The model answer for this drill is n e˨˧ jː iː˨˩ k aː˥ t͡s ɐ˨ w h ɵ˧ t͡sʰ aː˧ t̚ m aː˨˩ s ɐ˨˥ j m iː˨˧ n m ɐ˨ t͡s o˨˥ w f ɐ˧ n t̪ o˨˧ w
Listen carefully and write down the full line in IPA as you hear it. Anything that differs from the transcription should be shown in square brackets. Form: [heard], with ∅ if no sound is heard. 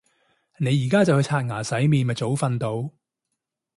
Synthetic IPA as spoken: n e˨˧ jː iː˨˩ k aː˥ t͡s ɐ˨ w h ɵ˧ t͡sʰ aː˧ t̚ [ŋ] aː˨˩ s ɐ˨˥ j m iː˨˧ n m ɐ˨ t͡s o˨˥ w f ɐ˧ n t̪ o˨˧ w